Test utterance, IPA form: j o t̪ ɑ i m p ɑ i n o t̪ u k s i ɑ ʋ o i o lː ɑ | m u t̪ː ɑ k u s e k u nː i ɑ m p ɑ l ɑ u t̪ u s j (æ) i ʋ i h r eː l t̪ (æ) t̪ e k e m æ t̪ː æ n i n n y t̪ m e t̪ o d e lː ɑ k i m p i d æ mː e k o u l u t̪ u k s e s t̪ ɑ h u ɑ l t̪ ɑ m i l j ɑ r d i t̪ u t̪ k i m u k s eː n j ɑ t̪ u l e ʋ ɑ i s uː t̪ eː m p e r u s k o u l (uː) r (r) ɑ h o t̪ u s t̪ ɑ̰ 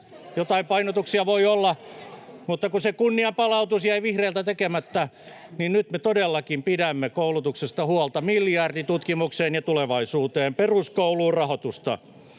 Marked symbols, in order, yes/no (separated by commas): yes, yes, yes, yes